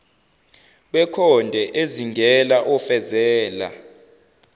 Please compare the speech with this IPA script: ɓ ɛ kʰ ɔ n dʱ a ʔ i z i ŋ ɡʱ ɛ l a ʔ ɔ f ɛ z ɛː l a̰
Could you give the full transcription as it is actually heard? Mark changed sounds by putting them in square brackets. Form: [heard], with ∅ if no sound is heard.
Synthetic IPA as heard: ɓ ɛ kʰ ɔ n dʱ [ɛ] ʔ [e] z i ŋ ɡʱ ɛ l a ʔ ɔ f ɛ z ɛː l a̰